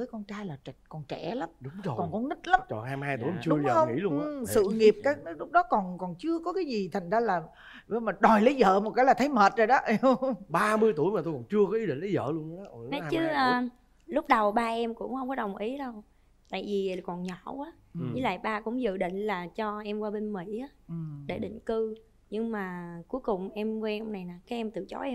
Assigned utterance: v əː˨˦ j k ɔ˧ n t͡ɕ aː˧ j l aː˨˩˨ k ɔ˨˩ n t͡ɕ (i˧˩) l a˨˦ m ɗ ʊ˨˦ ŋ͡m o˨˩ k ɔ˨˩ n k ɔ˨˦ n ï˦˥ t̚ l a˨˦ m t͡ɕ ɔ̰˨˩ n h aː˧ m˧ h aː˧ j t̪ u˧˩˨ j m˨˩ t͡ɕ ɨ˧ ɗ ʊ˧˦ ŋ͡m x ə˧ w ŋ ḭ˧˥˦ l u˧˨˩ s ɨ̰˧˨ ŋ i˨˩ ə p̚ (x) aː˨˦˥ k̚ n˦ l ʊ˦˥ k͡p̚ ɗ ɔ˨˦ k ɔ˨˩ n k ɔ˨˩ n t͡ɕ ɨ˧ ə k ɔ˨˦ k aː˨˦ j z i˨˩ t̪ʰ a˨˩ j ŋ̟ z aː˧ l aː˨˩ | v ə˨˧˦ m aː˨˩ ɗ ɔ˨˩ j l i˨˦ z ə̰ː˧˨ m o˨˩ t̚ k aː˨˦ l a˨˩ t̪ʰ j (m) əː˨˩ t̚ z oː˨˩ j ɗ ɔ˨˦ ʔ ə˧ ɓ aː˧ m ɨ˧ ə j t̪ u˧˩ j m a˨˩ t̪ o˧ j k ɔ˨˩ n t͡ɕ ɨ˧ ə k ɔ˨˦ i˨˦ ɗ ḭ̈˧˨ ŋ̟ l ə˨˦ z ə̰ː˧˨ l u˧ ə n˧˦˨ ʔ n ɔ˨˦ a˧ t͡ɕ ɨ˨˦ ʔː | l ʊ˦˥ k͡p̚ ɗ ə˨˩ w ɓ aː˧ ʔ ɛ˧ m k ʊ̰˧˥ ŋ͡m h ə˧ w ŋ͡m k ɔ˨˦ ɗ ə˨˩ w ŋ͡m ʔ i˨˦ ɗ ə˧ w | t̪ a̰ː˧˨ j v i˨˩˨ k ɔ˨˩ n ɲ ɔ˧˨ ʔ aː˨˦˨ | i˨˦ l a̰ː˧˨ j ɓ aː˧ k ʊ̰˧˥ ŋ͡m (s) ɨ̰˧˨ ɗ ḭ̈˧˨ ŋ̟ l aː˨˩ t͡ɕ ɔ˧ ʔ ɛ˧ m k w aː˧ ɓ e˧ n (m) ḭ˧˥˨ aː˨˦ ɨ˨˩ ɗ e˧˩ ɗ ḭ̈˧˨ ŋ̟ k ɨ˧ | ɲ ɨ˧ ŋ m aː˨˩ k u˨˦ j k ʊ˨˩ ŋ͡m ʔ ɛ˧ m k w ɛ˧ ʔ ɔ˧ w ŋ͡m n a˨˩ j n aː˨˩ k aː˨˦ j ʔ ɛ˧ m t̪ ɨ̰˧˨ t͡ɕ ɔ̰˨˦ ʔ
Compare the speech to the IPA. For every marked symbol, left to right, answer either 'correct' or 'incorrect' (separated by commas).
incorrect, incorrect, correct, incorrect, correct